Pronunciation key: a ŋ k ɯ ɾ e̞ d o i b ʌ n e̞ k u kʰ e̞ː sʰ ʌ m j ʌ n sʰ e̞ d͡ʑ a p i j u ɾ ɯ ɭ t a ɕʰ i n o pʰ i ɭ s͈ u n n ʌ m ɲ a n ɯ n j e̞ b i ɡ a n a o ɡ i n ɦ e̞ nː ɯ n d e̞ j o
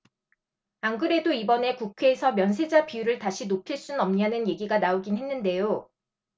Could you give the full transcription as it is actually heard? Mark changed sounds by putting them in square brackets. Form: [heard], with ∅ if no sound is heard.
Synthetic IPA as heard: a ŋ [ɡ] ɯ ɾ e̞ d o i b ʌ n e̞ k u kʰ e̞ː sʰ ʌ m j ʌ n sʰ e̞ d͡ʑ a p i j u ɾ ɯ ɭ t a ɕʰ i n o pʰ i ɭ s͈ u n n ʌ m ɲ a n ɯ n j e̞ [ɡ] i ɡ a n a o ɡ i n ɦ e̞ nː ɯ n d e̞ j o